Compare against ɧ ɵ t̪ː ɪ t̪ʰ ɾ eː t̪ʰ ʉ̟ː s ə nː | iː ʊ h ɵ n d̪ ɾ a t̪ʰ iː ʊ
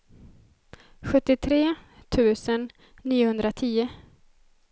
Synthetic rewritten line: ɧ ɵ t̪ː ɪ t̪ʰ ɾ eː t̪ʰ ʉ̟ː s ə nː | iː ʊ h ɵ n d̪ ɾ a t̪ʰ iː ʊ